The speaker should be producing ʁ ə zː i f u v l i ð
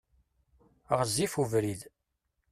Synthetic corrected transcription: ʁ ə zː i f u v ɾ i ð